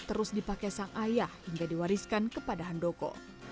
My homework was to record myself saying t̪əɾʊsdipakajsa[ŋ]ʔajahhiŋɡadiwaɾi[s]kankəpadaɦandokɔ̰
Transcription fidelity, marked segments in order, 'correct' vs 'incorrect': correct, correct

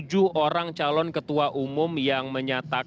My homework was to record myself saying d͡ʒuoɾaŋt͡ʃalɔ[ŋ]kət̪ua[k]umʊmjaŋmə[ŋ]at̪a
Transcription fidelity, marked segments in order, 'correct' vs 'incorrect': incorrect, incorrect, incorrect

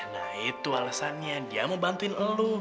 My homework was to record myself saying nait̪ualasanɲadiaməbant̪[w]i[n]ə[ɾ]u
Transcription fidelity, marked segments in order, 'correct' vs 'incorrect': incorrect, correct, incorrect

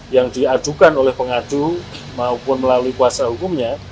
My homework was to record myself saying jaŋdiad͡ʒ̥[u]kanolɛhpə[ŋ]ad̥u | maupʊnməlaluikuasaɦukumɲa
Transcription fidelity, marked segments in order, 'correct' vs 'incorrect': correct, correct

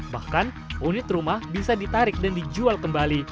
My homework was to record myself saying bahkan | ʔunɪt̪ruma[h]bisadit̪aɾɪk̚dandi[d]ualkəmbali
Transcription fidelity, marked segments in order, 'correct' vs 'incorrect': correct, incorrect

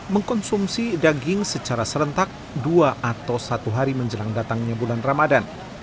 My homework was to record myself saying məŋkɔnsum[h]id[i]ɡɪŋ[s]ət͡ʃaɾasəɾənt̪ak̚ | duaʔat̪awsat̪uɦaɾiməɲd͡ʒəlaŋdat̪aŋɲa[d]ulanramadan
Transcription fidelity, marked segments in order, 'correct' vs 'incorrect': incorrect, incorrect, correct, incorrect

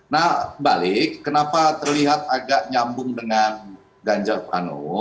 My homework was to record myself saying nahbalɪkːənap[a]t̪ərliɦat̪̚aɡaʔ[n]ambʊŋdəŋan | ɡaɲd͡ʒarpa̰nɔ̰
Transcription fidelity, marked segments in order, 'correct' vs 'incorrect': correct, incorrect

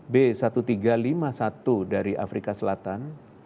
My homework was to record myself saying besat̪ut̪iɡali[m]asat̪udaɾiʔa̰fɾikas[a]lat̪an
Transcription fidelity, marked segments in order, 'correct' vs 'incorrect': correct, incorrect

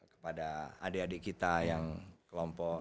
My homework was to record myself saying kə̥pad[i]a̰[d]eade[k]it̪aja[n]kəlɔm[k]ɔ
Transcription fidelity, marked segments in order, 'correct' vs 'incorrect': incorrect, correct, correct, incorrect, incorrect

